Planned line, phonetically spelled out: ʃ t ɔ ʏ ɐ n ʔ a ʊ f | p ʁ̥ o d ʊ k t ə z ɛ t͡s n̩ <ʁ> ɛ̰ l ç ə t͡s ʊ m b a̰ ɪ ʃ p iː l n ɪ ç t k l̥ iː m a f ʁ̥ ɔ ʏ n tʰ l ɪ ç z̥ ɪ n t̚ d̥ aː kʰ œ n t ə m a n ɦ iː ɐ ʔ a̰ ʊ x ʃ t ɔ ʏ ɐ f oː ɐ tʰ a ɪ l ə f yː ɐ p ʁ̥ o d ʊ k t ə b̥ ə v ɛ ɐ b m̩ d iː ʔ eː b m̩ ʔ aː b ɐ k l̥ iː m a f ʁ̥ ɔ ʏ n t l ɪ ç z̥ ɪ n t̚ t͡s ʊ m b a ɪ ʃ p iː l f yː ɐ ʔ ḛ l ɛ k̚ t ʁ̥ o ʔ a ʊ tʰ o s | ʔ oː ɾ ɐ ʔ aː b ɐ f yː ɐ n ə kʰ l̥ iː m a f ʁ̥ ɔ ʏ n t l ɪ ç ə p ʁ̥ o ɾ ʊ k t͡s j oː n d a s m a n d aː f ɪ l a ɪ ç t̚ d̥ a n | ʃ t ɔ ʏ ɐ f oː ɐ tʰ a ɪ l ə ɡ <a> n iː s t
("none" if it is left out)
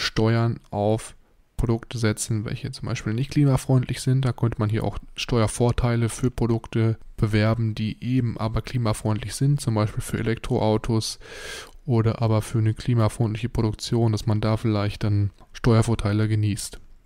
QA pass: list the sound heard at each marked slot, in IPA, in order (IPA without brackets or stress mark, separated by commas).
v, ə